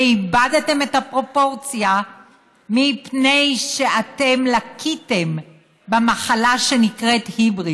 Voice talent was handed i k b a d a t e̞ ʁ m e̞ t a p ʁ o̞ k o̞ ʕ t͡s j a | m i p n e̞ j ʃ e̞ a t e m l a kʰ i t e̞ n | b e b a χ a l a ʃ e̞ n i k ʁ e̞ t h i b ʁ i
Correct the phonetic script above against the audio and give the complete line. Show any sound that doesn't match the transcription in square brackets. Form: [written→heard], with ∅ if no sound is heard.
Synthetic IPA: i [k→∅] b a d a t e̞ [ʁ→∅] m e̞ t a p ʁ o̞ [k→p] o̞ [ʕ→ʁ] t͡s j a | m i p n e̞ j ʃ e̞ a t e m l a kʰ i t e̞ [n→m] | b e [b→m] a χ a l a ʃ e̞ n i k ʁ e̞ t h i b ʁ i